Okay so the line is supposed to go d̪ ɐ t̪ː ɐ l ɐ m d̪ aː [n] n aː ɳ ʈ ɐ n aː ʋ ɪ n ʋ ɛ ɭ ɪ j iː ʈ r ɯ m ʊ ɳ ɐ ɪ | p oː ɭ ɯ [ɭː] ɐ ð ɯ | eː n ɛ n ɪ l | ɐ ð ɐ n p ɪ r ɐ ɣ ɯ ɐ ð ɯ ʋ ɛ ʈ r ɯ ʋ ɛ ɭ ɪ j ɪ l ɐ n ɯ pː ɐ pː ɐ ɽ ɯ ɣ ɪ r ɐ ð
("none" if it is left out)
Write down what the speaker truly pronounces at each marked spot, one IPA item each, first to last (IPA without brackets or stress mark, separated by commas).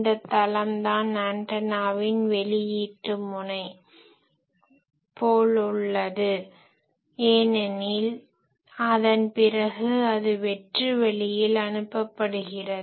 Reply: n, ɭː